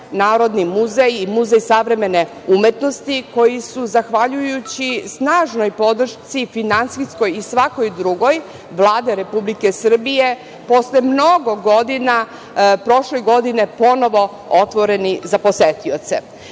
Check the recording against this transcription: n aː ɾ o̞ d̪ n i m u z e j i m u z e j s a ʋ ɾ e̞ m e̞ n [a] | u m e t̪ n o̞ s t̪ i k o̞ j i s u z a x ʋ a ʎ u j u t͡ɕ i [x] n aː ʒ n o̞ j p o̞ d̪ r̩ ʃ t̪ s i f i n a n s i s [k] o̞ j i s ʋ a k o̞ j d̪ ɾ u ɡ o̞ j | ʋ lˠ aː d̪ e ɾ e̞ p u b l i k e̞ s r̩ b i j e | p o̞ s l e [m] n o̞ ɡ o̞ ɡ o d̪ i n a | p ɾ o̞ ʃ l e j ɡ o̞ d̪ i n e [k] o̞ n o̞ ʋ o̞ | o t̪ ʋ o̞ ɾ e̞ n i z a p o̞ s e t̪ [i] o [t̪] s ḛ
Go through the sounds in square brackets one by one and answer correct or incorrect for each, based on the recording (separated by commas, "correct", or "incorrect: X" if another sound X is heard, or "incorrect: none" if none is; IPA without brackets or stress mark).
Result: incorrect: e, incorrect: s, correct, correct, incorrect: p, correct, correct